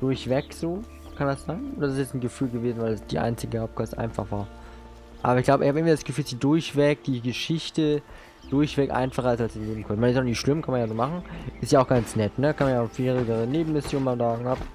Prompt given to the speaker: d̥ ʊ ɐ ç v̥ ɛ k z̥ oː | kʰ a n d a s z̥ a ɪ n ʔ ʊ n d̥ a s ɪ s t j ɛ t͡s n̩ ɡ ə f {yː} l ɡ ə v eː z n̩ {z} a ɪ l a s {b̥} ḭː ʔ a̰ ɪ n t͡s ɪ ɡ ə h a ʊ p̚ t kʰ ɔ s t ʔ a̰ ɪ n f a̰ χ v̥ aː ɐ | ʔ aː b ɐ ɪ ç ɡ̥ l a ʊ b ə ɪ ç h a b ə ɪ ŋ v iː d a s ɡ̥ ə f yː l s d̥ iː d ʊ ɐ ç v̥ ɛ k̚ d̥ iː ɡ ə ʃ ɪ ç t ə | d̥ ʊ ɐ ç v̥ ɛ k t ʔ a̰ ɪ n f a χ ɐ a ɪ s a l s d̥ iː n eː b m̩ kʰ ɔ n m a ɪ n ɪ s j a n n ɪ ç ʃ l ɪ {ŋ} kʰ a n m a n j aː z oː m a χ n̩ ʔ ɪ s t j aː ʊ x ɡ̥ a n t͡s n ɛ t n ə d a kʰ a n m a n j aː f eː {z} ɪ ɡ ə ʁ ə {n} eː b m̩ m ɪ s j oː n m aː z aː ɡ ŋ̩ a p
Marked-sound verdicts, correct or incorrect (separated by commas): correct, incorrect, incorrect, incorrect, incorrect, correct